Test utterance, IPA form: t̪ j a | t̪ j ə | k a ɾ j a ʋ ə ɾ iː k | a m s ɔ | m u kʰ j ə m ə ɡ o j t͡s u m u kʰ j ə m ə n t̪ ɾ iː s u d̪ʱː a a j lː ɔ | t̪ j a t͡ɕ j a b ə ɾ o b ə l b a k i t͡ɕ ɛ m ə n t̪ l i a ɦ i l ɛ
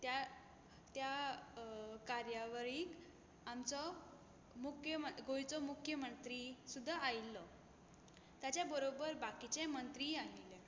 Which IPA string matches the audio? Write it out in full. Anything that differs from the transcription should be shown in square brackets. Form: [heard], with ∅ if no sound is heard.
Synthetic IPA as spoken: t̪ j a | t̪ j [a] | k a ɾ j a ʋ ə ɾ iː k | a m [t͡s] ɔ | m u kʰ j ə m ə ɡ o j t͡s [ɔ] m u kʰ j ə m ə n t̪ ɾ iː s u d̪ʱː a a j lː ɔ | t̪ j a t͡ɕ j a b ə ɾ o b ə [ɾ] b a k i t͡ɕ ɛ m ə n t̪ [ɾ] i a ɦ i l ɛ